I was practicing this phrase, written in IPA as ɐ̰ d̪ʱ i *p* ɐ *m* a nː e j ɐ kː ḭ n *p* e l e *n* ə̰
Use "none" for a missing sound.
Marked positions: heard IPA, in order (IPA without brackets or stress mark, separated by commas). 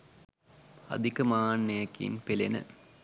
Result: k, m, p, n